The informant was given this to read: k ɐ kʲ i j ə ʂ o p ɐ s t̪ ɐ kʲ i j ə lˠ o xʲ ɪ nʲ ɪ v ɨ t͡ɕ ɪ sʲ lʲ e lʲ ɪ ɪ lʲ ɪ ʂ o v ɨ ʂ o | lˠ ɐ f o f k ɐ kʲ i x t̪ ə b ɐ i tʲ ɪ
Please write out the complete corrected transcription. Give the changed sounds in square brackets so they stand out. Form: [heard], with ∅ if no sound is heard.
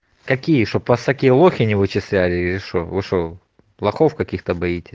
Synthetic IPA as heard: k ɐ kʲ i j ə ʂ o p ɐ s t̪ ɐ kʲ i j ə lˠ o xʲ ɪ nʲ ɪ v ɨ t͡ɕ ɪ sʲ lʲ [æ] lʲ ɪ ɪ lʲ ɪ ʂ o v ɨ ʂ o | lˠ ɐ [x] o f k ɐ kʲ i x t̪ ə b ɐ i tʲ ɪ